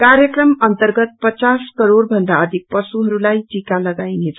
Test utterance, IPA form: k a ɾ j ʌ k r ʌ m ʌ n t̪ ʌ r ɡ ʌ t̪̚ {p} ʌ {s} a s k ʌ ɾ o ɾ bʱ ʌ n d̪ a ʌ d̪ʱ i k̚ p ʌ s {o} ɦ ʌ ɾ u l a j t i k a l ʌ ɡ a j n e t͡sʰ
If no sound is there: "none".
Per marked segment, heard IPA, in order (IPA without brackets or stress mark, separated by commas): p, t͡s, u